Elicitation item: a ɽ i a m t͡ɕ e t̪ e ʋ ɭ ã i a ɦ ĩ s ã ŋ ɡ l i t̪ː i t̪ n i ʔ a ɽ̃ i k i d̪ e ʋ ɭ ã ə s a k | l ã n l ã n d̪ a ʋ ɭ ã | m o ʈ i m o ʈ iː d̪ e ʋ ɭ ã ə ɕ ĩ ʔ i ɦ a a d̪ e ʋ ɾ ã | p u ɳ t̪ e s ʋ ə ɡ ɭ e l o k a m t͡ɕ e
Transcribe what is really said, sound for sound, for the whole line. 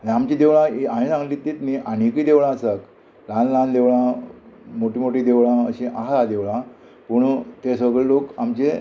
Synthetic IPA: a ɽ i a m t͡ɕ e d̪ e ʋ ɭ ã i a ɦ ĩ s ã ŋ ɡ l i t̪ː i t̪ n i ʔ a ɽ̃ i k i d̪ e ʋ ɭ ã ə s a k | l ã n l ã n d̪ e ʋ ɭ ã | m o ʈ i m o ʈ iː d̪ e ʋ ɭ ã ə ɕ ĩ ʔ a ɦ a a d̪ e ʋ ɭ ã | p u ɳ t̪ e s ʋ ə ɡ ɭ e l o k a m t͡ɕ e